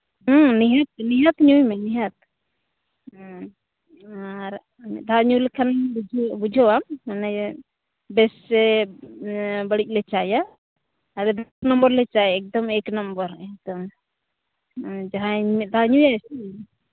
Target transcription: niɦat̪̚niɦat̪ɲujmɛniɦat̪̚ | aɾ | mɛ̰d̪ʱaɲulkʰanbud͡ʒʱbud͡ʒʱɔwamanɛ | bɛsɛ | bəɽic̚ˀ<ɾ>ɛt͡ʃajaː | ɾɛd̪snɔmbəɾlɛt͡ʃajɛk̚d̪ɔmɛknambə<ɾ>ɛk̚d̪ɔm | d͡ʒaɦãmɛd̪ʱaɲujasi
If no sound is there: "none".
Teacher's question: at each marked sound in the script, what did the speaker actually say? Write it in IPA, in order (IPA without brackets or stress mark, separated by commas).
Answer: l, ɾ